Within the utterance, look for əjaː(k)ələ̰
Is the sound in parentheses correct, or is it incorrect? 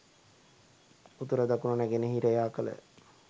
correct